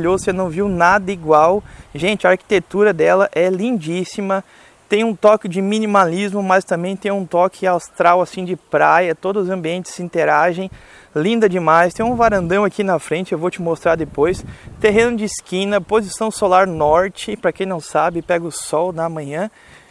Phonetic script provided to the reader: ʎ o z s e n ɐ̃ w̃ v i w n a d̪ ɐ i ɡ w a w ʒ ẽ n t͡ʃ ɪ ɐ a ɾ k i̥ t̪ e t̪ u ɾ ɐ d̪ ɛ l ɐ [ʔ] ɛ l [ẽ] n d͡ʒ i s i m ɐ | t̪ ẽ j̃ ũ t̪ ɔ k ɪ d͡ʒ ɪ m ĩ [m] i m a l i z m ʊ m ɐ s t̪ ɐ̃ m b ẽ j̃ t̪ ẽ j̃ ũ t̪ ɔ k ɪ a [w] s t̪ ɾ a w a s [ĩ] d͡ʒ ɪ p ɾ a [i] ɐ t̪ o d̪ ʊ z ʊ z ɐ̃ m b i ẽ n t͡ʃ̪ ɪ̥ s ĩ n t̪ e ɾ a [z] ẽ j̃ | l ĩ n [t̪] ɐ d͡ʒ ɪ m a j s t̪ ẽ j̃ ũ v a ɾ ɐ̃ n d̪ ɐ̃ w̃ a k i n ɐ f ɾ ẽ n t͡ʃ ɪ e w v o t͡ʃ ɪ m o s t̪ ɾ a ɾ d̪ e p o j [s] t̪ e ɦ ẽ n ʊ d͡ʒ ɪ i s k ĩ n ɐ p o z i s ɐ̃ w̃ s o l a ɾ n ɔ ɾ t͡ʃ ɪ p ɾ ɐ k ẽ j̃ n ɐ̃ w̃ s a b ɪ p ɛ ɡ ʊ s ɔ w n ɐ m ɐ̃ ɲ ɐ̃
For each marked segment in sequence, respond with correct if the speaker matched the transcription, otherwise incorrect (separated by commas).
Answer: correct, incorrect, incorrect, correct, correct, incorrect, incorrect, incorrect, correct